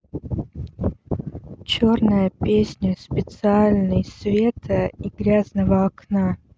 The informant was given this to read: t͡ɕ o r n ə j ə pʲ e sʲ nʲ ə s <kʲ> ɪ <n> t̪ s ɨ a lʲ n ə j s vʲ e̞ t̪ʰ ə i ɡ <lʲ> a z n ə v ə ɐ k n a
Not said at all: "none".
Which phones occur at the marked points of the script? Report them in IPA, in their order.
pʲ, none, ɾʲ

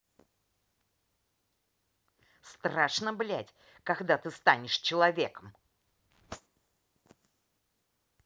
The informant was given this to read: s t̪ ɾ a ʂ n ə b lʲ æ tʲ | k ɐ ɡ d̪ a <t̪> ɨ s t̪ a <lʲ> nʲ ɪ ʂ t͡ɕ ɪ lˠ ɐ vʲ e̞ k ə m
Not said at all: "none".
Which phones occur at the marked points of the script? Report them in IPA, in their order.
t̪, none

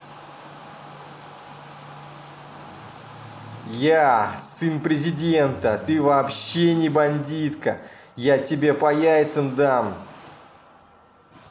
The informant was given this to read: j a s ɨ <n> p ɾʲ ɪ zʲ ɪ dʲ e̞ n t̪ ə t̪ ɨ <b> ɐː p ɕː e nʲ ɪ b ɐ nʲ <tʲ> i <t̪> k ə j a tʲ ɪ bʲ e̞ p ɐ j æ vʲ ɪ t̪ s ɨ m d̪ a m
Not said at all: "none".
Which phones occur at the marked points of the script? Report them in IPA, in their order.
n, v, dʲ, t̪

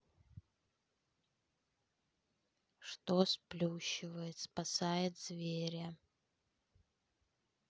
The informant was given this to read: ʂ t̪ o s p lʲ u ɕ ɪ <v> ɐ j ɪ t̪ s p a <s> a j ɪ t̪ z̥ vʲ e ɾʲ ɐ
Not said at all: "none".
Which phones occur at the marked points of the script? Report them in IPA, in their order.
v, s

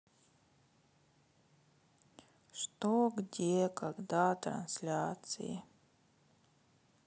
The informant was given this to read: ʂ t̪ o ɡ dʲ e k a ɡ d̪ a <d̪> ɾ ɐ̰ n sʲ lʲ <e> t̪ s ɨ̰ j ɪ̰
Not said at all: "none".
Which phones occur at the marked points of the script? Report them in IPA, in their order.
t̪, a

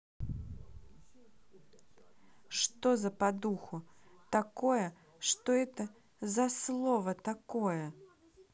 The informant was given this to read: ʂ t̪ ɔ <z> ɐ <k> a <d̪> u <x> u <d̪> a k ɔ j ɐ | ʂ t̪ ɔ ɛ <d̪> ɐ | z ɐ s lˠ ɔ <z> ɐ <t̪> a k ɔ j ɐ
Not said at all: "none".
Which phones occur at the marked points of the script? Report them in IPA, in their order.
z, p, d̪, x, t̪, t̪, v, t̪

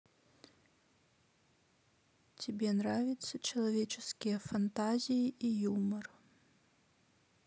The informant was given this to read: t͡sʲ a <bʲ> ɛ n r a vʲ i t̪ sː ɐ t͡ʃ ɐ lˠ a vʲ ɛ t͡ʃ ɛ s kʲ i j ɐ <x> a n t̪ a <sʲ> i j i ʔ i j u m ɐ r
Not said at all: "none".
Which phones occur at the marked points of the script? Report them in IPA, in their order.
bʲ, f, zʲ

